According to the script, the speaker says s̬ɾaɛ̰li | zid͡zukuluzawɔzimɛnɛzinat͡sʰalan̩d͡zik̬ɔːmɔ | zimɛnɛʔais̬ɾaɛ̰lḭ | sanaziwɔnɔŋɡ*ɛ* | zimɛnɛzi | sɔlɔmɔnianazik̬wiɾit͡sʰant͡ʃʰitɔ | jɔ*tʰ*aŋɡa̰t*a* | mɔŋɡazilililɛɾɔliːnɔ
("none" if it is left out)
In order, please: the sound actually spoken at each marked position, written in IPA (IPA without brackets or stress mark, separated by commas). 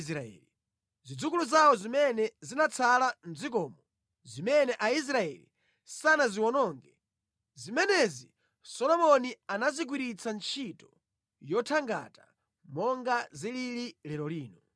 ɛ, tʰ, a